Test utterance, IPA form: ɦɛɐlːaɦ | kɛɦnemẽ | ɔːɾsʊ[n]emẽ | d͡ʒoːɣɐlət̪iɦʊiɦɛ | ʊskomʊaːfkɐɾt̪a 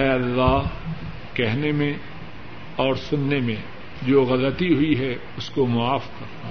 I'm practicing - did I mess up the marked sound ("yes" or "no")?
yes